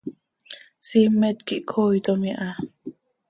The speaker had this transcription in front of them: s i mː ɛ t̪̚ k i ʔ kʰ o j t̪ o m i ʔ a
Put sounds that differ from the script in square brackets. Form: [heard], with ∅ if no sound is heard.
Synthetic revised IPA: s i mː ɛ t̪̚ k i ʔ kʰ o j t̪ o m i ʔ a